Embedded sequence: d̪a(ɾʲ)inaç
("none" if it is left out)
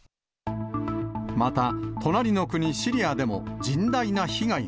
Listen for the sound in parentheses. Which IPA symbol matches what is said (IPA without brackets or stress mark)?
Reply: none